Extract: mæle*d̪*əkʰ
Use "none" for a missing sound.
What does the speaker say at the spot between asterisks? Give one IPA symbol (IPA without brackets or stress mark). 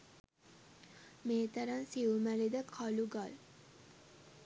d̪